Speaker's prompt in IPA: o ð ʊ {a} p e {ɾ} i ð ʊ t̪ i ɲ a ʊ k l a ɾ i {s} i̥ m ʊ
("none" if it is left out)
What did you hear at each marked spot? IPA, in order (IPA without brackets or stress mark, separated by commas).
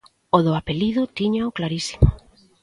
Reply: a, l, s